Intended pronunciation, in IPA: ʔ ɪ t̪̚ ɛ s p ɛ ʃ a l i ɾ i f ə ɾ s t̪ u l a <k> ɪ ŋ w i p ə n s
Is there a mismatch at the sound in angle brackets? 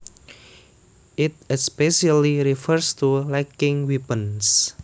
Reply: no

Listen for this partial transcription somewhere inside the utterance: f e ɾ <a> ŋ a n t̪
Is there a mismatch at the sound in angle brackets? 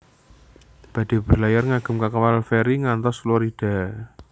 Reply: yes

